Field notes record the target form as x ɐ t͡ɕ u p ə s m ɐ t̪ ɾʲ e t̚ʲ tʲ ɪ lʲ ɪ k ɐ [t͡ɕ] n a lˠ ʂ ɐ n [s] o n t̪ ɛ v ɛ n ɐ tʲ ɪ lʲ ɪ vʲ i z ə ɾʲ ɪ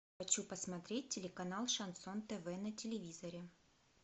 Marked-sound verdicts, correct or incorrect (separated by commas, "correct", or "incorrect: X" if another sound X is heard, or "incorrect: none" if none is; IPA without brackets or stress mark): incorrect: none, correct